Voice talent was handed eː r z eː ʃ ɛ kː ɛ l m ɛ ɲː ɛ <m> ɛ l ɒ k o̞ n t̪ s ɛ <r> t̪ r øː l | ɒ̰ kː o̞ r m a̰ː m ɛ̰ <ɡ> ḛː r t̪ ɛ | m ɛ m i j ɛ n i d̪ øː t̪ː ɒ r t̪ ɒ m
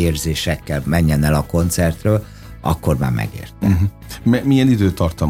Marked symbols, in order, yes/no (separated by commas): no, yes, yes